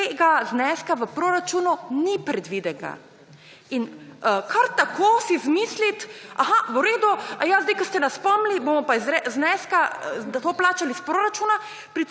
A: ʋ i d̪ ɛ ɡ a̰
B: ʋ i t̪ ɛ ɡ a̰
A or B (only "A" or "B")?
A